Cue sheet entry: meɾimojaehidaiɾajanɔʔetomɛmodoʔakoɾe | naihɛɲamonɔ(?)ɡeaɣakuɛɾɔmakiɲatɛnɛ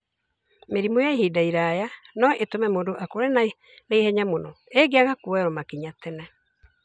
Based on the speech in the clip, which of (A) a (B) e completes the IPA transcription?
B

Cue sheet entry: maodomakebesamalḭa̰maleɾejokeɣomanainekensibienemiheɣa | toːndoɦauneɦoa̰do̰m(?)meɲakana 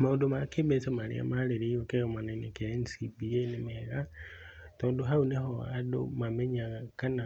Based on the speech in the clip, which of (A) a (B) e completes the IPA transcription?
A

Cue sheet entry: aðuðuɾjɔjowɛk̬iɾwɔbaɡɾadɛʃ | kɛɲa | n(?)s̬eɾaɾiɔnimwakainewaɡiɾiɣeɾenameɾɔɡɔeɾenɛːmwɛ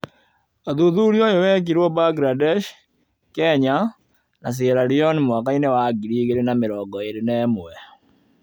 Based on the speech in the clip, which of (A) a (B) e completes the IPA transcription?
A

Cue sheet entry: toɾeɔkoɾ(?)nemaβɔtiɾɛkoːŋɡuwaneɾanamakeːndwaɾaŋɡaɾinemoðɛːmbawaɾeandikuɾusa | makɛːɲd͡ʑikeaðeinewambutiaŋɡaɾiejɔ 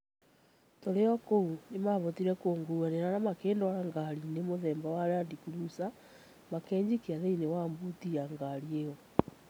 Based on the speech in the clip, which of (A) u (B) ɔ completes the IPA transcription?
A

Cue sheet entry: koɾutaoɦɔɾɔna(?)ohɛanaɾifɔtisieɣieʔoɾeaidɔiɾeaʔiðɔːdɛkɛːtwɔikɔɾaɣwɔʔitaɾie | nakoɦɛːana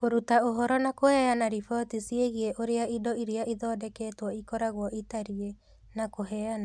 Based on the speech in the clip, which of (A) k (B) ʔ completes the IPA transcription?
A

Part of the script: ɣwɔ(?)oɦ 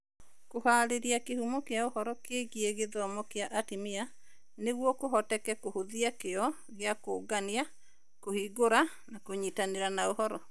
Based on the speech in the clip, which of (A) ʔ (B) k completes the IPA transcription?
B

